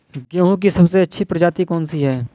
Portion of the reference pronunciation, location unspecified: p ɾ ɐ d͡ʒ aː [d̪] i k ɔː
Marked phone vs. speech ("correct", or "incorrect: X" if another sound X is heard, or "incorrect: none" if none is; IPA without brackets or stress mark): incorrect: t̪